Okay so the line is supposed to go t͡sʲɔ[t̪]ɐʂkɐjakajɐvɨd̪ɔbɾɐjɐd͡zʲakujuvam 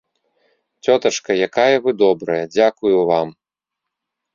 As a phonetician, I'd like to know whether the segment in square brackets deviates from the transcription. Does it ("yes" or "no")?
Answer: no